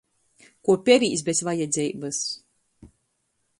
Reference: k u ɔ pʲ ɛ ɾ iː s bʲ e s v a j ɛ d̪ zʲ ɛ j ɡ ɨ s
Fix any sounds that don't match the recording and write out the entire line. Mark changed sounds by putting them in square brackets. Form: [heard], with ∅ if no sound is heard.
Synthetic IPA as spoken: k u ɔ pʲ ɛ ɾ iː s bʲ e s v a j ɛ d̪ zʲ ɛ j [b] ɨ s